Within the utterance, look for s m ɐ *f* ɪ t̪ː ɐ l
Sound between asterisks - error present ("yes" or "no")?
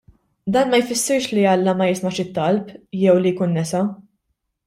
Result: yes